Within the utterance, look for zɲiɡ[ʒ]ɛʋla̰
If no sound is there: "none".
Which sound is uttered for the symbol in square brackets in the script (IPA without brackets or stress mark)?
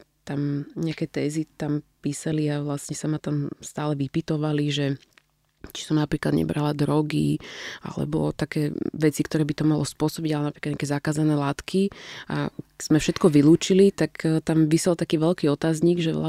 ʒ